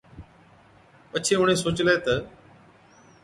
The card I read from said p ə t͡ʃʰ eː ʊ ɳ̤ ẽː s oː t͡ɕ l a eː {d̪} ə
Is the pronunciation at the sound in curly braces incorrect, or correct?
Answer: incorrect: t̪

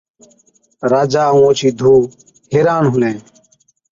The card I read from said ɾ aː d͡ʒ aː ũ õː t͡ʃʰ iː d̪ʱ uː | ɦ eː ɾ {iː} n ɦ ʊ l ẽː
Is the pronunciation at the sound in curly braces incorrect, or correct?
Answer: incorrect: aː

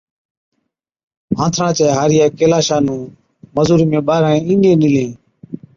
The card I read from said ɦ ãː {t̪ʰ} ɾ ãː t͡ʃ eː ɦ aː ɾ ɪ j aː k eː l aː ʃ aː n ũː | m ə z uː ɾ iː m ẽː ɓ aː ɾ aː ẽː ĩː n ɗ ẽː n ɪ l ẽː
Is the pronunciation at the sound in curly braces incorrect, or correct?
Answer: correct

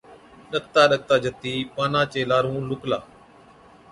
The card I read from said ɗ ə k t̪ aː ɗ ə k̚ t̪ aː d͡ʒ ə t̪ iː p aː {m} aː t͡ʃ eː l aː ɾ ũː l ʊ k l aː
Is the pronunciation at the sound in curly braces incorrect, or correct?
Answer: incorrect: n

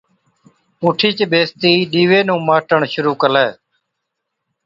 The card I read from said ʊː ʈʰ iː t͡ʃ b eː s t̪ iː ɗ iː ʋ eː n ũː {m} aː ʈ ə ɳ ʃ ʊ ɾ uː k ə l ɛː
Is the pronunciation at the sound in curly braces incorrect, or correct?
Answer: correct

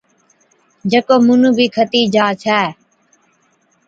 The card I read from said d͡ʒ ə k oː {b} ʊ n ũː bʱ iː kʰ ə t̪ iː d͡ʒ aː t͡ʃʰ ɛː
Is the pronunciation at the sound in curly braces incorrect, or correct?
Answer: incorrect: m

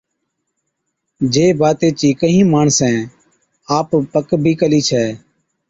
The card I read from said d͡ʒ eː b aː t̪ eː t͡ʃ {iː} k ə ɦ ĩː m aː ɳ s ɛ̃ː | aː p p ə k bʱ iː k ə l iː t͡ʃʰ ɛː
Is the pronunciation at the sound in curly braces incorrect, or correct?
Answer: correct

